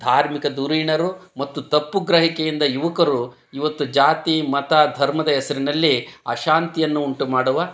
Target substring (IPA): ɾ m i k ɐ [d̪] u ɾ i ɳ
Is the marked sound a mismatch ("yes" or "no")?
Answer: no